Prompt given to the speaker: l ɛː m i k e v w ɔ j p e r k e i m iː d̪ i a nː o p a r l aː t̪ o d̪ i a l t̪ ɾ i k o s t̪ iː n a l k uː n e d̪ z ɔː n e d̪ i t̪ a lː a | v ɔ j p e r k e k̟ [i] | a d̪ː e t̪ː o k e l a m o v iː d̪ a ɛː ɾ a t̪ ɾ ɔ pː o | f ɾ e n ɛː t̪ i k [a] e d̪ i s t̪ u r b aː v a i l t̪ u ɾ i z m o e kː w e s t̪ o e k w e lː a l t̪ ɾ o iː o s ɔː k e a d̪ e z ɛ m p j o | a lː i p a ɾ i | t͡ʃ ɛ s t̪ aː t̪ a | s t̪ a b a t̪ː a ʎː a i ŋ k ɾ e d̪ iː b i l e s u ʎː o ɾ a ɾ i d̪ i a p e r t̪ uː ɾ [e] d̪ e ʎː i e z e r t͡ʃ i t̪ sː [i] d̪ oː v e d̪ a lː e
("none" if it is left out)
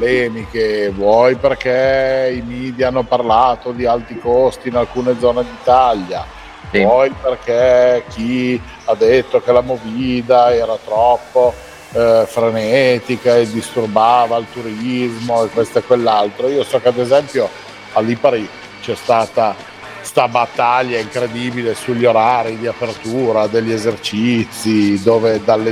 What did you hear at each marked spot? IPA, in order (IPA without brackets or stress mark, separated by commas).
i, a, a, i